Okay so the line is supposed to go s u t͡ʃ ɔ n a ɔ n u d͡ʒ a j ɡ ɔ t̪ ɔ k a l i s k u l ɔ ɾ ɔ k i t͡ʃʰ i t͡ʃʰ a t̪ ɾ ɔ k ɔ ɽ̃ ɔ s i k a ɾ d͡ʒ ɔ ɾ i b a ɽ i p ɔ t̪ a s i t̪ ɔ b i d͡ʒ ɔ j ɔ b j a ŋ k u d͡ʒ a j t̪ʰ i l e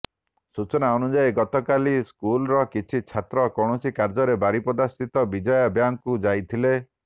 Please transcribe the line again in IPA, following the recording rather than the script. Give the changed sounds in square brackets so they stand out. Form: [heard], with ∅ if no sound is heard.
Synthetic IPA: s u t͡ʃ ɔ n a ɔ n u d͡ʒ a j ɡ ɔ t̪ ɔ k a l i s k u l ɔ ɾ ɔ k i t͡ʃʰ i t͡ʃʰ a t̪ ɾ ɔ k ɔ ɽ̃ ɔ s i k a ɾ d͡ʒ ɔ ɾ [e] b a [ɾ] i p ɔ [d̪] a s i t̪ ɔ b i d͡ʒ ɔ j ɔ b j a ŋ k u d͡ʒ a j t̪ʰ i l e